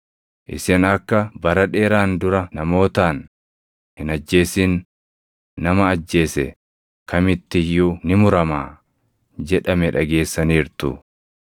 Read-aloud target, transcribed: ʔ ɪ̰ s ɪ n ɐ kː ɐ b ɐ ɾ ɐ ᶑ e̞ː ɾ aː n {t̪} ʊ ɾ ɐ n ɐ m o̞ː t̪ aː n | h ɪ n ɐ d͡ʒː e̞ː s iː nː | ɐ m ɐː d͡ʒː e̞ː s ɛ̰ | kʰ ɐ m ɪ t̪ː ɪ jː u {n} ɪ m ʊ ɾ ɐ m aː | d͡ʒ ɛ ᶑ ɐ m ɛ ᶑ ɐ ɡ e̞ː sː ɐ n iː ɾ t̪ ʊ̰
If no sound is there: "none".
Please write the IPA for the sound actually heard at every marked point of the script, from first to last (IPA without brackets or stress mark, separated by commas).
d̪, n